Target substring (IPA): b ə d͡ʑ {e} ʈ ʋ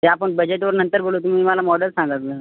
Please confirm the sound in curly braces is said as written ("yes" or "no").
yes